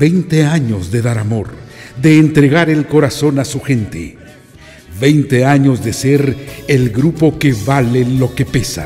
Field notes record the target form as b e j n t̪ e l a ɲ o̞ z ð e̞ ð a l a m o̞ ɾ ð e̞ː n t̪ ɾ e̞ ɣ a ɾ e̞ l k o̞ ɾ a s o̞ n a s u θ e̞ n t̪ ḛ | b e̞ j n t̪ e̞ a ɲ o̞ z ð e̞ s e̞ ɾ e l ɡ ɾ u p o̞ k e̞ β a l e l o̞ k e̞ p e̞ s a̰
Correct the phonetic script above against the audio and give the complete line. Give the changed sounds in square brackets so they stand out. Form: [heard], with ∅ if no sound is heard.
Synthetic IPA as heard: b e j n t̪ e [∅] a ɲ o̞ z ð e̞ ð a [ɾ] a m o̞ ɾ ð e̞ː n t̪ ɾ e̞ ɣ a ɾ e̞ l k o̞ ɾ a s o̞ n a s u [x] e̞ n t̪ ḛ | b e̞ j n t̪ e̞ a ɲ o̞ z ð e̞ s e̞ ɾ e l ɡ ɾ u p o̞ k e̞ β a l e l o̞ k e̞ p e̞ s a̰